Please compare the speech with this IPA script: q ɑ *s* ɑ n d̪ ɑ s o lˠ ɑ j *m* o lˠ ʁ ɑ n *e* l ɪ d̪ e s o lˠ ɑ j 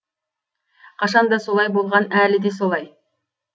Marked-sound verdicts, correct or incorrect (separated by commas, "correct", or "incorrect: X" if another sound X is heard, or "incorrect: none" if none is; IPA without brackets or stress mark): incorrect: ʃ, incorrect: b, incorrect: æ